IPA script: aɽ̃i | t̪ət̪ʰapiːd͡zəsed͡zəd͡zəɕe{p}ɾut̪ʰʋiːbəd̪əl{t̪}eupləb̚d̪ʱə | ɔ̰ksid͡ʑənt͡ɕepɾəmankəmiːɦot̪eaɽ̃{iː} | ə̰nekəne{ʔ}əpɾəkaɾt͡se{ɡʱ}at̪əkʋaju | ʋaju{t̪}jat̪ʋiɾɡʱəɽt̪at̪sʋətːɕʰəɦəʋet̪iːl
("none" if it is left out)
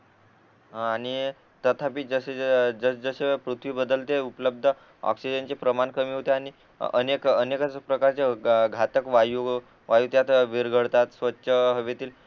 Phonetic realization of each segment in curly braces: p, t̪, i, k, ɡʱ, t̪

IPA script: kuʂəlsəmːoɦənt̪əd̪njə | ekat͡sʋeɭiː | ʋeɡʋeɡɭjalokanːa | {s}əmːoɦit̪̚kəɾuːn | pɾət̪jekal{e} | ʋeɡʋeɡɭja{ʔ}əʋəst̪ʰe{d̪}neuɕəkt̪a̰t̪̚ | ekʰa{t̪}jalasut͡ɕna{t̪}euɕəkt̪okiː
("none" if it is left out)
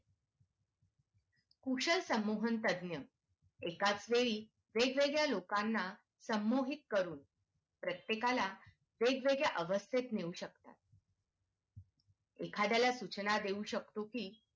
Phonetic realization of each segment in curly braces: s, a, ʔ, t̪, d̪, d̪

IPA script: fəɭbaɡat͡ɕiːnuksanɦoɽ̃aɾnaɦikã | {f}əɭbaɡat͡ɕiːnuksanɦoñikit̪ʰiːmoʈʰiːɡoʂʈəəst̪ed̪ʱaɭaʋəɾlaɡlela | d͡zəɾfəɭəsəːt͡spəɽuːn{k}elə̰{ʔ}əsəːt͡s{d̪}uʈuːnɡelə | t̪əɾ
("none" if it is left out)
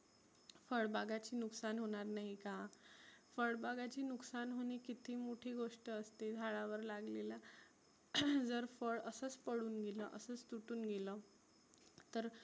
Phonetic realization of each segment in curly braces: f, ɡ, ʔ, t̪

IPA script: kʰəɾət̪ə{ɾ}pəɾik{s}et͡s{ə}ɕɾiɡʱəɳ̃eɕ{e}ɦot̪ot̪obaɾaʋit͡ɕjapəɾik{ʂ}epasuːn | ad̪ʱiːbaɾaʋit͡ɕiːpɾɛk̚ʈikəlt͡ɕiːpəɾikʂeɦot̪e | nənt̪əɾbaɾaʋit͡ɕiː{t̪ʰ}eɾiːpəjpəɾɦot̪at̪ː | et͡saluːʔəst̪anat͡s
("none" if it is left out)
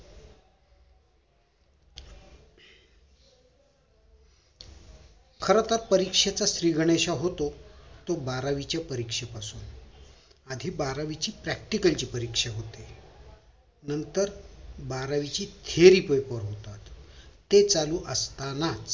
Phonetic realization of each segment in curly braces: ɾ, ʂ, a, a, ʂ, t̪ʰ

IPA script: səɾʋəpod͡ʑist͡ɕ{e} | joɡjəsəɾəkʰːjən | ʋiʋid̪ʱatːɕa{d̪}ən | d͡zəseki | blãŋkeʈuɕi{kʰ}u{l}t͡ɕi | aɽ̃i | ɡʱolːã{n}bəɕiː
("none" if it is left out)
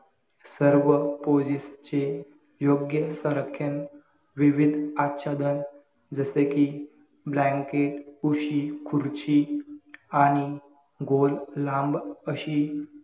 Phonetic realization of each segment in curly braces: e, d̪, kʰ, ɾ, m

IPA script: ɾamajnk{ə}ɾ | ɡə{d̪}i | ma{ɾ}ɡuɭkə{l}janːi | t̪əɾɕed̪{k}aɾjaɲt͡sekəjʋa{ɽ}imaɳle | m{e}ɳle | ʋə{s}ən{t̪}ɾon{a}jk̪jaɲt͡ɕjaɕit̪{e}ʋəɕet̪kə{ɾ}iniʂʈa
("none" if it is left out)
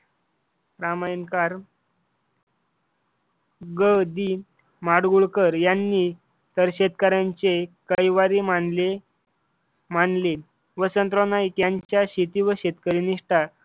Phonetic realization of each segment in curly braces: a, d̪, ɽ, ɾ, k, ɾ, a, s, t̪, a, i, ɾ

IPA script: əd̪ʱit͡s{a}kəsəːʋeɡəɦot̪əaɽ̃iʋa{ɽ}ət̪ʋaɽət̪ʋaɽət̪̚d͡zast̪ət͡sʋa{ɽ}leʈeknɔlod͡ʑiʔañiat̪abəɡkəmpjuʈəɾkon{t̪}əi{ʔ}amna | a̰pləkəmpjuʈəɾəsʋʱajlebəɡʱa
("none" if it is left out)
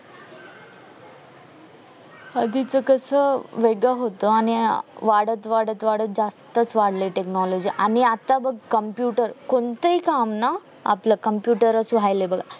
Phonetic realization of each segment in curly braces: ə, ɽ, ɽ, t̪, k

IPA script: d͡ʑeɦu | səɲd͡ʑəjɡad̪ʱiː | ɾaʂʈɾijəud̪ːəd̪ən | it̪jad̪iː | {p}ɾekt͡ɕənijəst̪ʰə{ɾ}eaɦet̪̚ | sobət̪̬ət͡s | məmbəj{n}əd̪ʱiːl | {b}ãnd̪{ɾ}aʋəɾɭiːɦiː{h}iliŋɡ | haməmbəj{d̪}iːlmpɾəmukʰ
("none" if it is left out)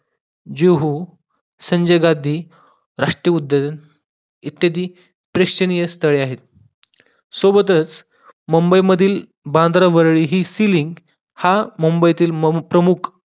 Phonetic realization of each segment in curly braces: p, ɭ, m, b, ɾ, s, t̪

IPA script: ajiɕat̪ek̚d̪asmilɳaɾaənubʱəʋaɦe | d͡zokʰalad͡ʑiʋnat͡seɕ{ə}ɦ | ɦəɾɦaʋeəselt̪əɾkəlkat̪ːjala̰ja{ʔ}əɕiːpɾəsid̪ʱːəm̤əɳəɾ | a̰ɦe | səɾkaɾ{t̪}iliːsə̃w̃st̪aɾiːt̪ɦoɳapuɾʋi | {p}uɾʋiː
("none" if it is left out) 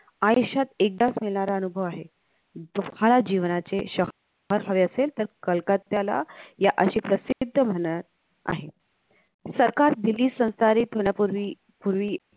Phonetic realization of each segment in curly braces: ə, ʔ, d̪, p

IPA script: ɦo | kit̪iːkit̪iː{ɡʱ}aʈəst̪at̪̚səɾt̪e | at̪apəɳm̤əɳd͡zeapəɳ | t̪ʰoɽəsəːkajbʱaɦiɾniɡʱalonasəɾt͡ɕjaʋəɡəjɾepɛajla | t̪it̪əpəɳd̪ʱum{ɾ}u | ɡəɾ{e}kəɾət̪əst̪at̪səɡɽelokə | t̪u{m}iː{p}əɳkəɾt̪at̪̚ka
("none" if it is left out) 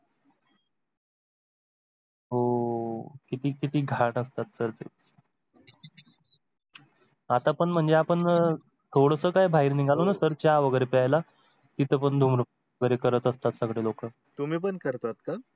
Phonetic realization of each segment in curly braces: ɡʱ, ɾ, e, m, p

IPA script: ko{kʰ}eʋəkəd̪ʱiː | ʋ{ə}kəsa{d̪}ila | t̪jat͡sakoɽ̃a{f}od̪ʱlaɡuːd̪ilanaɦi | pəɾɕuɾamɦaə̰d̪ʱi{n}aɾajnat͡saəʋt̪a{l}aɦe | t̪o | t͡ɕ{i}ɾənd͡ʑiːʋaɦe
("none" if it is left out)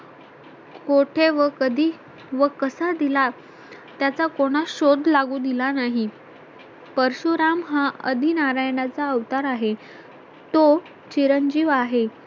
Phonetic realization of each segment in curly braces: ʈʰ, ə, d̪, ɕ, n, ɾ, i

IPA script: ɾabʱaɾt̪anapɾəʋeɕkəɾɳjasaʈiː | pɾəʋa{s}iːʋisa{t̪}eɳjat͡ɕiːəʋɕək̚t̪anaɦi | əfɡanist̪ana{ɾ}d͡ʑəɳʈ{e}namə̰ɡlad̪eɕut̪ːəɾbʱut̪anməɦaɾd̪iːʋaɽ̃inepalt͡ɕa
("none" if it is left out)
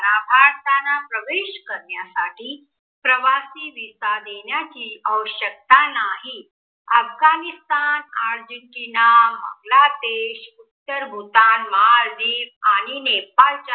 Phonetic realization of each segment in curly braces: s, d̪, ɾ, i

